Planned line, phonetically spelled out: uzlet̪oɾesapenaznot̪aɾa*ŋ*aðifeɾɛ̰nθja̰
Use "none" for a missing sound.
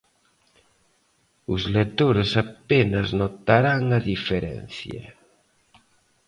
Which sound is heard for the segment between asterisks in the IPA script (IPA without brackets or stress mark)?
ŋ